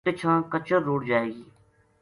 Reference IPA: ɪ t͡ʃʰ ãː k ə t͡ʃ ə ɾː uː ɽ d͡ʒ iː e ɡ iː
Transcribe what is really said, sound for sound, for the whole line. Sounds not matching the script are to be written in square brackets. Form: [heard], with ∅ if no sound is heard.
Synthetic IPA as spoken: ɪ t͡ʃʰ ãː k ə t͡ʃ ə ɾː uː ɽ d͡ʒ [aː] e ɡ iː